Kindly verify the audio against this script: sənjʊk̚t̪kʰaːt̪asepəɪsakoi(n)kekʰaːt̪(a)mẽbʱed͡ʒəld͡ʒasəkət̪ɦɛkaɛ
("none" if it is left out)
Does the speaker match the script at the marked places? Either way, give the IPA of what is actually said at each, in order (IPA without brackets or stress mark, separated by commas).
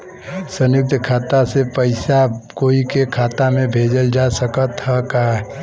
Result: none, a